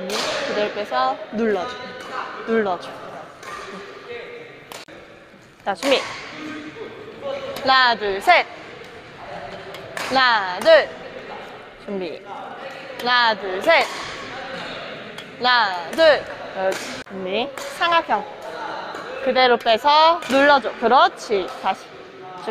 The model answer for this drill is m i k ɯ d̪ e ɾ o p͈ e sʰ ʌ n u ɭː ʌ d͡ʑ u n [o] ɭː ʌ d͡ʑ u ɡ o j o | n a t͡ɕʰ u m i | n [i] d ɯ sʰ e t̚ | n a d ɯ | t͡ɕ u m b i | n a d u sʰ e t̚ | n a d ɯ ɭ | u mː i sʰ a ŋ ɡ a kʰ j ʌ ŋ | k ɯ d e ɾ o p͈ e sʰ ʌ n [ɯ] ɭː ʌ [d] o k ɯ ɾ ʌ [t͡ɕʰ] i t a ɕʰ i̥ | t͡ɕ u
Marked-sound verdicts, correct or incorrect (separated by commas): incorrect, incorrect, incorrect, incorrect, correct